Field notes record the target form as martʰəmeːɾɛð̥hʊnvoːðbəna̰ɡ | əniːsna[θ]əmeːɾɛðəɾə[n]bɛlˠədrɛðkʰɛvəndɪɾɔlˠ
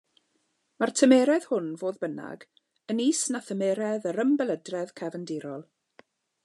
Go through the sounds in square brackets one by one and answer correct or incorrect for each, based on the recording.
correct, incorrect

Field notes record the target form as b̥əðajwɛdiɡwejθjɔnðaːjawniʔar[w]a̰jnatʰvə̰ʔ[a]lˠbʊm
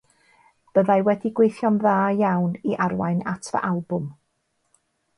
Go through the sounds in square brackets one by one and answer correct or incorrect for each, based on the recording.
correct, correct

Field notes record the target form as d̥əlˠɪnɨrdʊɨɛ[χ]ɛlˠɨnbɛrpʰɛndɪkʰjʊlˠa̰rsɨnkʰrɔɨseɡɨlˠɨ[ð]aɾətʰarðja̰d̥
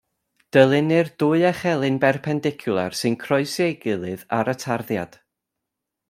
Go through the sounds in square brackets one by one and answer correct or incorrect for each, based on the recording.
correct, correct

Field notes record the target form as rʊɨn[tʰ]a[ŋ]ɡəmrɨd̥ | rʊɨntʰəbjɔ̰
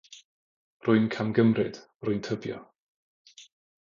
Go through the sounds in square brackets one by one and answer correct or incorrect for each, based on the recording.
incorrect, incorrect

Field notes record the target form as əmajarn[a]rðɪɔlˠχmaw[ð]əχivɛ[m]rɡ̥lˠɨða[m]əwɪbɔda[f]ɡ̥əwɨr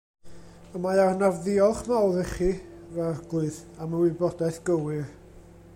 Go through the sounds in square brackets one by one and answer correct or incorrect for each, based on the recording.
correct, correct, incorrect, correct, incorrect

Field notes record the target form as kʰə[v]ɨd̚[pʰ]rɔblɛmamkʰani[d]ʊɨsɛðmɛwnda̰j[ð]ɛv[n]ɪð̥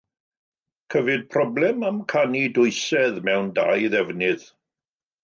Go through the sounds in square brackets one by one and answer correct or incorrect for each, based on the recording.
correct, correct, correct, correct, correct

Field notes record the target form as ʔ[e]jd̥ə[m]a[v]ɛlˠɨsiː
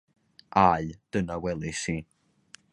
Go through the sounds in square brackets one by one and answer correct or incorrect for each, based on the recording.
incorrect, incorrect, incorrect

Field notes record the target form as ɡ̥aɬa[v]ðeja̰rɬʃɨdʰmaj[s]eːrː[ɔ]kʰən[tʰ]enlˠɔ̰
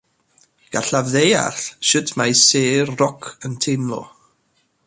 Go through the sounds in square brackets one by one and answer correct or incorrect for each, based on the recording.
correct, correct, correct, correct

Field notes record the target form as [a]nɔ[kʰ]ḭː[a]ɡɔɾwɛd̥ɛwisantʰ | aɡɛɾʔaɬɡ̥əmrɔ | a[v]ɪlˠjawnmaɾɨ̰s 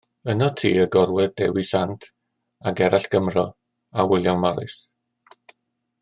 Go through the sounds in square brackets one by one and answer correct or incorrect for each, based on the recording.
incorrect, incorrect, incorrect, incorrect

